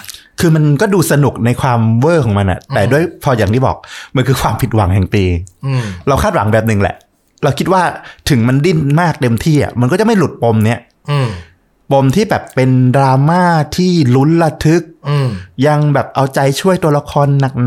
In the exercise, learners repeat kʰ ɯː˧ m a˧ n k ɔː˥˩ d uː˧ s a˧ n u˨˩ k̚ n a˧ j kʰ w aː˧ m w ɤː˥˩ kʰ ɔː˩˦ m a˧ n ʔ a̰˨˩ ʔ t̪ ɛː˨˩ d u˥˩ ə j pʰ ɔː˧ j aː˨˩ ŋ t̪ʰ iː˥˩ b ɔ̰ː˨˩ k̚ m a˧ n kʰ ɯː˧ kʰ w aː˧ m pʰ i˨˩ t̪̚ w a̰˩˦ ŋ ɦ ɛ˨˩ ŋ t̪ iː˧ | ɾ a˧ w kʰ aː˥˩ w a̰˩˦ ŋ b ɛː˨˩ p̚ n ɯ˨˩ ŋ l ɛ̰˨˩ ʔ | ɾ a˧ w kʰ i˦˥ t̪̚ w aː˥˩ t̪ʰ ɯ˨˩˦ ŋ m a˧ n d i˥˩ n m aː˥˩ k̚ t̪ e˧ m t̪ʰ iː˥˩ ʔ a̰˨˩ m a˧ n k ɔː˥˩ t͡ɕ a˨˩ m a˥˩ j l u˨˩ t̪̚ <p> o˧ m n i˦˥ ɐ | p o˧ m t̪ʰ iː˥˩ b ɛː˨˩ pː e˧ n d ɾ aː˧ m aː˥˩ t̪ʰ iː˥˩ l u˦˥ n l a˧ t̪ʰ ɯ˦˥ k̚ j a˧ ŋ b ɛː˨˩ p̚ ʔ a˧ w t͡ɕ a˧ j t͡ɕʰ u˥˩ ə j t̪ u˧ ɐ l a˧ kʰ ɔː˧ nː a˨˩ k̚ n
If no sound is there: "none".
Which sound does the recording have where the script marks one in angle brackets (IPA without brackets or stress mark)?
p